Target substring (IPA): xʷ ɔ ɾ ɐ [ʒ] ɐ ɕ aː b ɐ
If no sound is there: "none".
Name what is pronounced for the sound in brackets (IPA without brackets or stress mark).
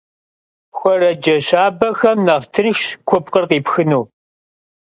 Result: d͡ʒ